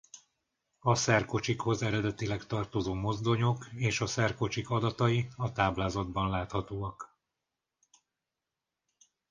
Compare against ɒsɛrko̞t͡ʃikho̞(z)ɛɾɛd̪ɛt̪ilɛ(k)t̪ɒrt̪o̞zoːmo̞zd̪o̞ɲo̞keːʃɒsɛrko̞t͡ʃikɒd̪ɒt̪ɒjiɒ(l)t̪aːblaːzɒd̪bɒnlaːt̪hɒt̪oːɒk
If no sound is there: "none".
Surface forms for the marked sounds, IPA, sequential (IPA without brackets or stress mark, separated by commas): z, k, none